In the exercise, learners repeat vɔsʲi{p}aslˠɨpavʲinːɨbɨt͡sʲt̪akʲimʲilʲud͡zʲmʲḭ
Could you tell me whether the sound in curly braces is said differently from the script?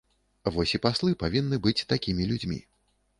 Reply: no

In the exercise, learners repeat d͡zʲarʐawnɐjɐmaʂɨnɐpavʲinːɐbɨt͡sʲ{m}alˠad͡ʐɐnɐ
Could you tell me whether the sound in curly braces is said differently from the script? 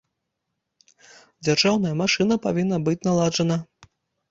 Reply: yes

